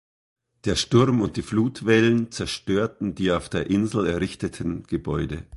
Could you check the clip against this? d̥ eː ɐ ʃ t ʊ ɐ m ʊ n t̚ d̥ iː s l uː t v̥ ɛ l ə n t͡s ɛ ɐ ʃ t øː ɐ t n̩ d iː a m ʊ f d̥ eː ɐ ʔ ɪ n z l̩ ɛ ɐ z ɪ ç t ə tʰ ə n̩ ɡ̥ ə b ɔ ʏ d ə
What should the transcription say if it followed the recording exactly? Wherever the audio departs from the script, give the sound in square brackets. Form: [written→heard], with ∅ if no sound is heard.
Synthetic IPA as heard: d̥ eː ɐ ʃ t ʊ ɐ m ʊ n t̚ d̥ iː [s→f] l uː t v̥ ɛ l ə n t͡s ɛ ɐ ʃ t øː ɐ t n̩ d iː a [m→∅] ʊ f d̥ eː ɐ ʔ ɪ n z l̩ ɛ ɐ [z→ʁ] ɪ ç t ə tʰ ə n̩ ɡ̥ ə b ɔ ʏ d ə

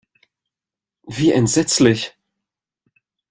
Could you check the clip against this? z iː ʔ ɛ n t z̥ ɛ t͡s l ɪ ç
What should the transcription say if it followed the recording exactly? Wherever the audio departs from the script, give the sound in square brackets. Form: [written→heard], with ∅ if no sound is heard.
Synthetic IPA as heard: [z→v] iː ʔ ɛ n t z̥ ɛ t͡s l ɪ ç

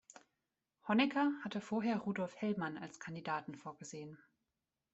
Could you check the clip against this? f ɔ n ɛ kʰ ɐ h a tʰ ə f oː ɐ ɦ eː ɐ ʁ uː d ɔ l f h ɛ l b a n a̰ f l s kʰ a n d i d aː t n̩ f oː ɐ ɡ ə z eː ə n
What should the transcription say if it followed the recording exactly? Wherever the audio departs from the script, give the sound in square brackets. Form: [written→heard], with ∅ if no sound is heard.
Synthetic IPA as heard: [f→h] ɔ n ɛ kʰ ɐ h a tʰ ə f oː ɐ ɦ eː ɐ ʁ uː d ɔ l f h ɛ l [b→m] a n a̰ [f→∅] l s kʰ a n d i d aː t n̩ f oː ɐ ɡ ə z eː ə n

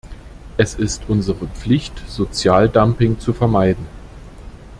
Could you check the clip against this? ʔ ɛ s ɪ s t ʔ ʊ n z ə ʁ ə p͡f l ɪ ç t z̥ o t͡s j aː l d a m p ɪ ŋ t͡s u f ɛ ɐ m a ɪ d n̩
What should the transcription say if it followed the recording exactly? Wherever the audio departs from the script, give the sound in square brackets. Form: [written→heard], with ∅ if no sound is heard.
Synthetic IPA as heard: ʔ ɛ s ɪ s t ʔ ʊ n z ə ʁ ə p͡f l ɪ ç t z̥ o t͡s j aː l d a m p ɪ ŋ t͡s u f ɛ ɐ m a ɪ d n̩

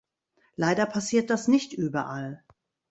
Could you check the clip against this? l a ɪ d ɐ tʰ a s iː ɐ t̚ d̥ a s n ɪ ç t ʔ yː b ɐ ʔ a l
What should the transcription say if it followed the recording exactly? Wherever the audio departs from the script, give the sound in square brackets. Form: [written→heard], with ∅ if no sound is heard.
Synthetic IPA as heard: l a ɪ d ɐ [tʰ→pʰ] a s iː ɐ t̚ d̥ a s n ɪ ç t ʔ yː b ɐ ʔ a l

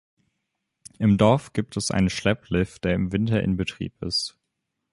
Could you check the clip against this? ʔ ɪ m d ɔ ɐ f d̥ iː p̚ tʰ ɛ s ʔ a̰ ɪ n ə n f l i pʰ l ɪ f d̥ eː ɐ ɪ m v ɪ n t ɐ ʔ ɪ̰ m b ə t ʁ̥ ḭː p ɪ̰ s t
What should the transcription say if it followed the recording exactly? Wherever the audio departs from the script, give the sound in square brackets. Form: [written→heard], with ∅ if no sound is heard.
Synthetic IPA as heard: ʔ ɪ m d ɔ ɐ f [d̥→ɡ̥] iː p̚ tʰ ɛ s ʔ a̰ ɪ n ə n [f→ʃ] l [i→ɛ] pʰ l ɪ f d̥ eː ɐ ɪ m v ɪ n t ɐ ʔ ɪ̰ [m→n] b ə t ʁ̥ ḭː p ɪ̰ s t

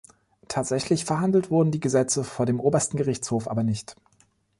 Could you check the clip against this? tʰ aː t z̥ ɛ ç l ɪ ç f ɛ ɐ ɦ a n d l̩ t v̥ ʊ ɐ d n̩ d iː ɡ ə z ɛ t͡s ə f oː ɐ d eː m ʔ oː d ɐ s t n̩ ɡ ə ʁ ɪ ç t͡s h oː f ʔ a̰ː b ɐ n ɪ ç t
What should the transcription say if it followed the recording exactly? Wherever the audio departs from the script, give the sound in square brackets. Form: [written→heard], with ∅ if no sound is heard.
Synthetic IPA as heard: tʰ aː t z̥ ɛ ç l ɪ ç f ɛ ɐ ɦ a n d l̩ t v̥ ʊ ɐ d n̩ d iː ɡ ə z ɛ t͡s ə f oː ɐ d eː m ʔ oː [d→b] ɐ s t n̩ ɡ ə ʁ ɪ ç t͡s h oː f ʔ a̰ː b ɐ n ɪ ç t

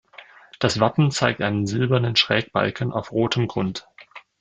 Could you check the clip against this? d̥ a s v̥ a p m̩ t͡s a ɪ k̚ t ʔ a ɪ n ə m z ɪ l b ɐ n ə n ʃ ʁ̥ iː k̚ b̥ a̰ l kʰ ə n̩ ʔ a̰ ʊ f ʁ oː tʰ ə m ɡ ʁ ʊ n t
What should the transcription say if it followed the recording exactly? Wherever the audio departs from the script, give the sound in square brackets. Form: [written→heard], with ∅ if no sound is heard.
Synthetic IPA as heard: d̥ a s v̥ a p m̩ t͡s a ɪ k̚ t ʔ a ɪ n ə [m→n] z ɪ l b ɐ n ə n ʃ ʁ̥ [iː→ɛː] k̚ b̥ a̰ l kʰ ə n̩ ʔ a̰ ʊ f ʁ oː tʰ ə m ɡ ʁ ʊ n t

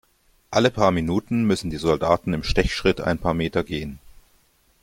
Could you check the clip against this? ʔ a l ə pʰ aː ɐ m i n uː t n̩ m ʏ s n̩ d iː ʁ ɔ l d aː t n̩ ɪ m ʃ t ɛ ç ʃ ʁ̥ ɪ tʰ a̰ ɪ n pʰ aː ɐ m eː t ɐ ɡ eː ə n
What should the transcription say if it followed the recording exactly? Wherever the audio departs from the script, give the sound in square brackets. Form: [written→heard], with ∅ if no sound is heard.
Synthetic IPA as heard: ʔ a l ə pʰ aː ɐ m i n uː t n̩ m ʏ s n̩ d iː [ʁ→z] ɔ l d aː t n̩ ɪ m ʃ t ɛ ç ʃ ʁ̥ ɪ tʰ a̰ ɪ n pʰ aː ɐ m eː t ɐ ɡ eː ə n

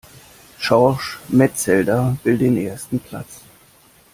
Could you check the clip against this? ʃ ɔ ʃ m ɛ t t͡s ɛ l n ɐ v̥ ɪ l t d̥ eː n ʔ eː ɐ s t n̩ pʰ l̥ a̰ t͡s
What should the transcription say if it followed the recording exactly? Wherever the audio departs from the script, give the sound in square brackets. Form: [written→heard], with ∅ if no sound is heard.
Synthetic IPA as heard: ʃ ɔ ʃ m ɛ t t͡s ɛ l [n→d] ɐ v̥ ɪ l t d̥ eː n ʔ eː ɐ s t n̩ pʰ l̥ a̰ t͡s

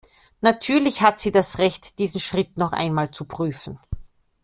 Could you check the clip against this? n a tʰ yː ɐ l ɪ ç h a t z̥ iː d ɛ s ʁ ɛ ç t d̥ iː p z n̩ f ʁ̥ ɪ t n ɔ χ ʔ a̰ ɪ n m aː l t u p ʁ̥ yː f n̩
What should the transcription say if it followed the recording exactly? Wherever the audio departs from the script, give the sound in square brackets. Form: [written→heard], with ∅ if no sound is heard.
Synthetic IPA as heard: n a tʰ yː ɐ l ɪ ç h a t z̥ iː d [ɛ→a] s ʁ ɛ ç t d̥ iː [p→∅] z n̩ [f→ʃ] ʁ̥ ɪ t n ɔ χ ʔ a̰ ɪ n m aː l [t→t͡s] u p ʁ̥ yː f n̩

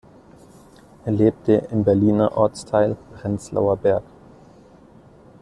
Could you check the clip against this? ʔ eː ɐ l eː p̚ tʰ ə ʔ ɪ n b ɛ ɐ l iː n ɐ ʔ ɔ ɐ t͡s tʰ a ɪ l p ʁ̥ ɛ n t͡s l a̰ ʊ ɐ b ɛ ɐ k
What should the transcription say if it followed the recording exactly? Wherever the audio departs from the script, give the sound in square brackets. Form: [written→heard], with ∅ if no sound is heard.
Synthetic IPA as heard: ʔ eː ɐ l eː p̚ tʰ ə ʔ ɪ [n→m] b ɛ ɐ l iː n ɐ ʔ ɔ ɐ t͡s tʰ a ɪ l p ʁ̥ ɛ n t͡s l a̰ ʊ ɐ b ɛ ɐ k

